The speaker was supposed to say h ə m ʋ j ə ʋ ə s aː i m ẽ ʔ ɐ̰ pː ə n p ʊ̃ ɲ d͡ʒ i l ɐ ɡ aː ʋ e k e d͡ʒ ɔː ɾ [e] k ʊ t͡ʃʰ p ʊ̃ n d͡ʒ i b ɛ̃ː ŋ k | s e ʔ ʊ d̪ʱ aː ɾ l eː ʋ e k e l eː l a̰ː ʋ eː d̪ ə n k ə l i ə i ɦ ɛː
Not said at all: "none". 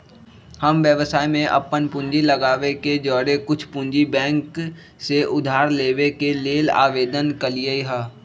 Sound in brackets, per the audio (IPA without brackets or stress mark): e